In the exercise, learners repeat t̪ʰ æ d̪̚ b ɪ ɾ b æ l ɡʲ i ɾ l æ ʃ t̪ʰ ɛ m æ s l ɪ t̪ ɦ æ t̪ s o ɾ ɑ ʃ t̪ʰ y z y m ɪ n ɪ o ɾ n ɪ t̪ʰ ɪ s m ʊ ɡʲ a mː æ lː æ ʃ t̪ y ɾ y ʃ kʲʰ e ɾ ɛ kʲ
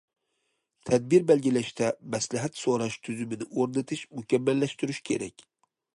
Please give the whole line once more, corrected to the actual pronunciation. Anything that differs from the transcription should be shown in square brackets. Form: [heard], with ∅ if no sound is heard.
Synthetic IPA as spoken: t̪ʰ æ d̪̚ b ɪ ɾ b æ l ɡʲ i [∅] l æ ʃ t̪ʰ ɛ m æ s l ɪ [∅] ɦ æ t̪ s o ɾ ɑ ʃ t̪ʰ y z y m ɪ n ɪ o ɾ n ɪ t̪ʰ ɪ [ʃ] m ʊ [kʲ] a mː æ lː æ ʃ t̪ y ɾ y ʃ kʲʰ e ɾ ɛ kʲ